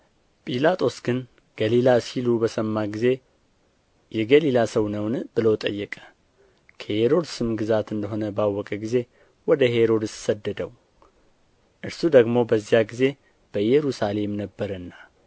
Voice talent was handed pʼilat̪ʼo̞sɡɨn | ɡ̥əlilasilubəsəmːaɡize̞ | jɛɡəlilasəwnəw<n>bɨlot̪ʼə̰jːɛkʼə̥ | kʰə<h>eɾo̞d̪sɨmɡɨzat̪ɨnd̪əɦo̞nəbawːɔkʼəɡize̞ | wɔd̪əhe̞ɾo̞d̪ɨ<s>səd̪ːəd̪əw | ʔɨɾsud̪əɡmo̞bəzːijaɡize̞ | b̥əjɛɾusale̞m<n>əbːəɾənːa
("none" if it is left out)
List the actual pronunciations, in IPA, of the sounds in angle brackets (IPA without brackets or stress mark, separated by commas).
n, h, s, n